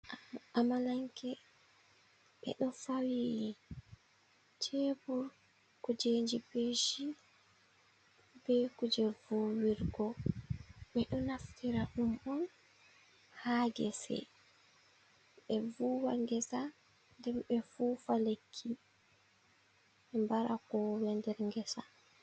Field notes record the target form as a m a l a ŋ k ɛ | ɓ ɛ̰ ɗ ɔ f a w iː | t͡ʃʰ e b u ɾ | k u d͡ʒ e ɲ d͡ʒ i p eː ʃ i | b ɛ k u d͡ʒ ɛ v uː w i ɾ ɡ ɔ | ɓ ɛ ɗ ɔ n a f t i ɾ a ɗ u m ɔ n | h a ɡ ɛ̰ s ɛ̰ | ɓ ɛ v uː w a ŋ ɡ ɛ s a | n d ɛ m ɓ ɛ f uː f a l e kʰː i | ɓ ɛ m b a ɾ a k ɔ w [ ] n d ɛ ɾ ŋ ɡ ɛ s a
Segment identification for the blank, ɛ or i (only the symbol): ɛ